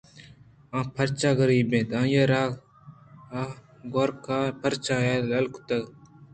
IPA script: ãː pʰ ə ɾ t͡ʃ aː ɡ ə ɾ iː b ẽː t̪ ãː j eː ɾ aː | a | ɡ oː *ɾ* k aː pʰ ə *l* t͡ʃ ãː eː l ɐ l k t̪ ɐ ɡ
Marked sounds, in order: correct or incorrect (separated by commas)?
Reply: correct, incorrect